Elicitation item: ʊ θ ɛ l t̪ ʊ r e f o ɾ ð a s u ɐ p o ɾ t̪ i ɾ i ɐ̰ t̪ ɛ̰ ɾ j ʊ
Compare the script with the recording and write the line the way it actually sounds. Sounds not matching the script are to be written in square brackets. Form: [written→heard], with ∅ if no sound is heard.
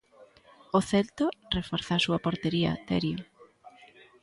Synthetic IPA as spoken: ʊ θ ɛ l t̪ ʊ r e f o ɾ [ð→θ] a s u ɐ p o ɾ t̪ [i→e] ɾ i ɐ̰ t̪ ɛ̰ ɾ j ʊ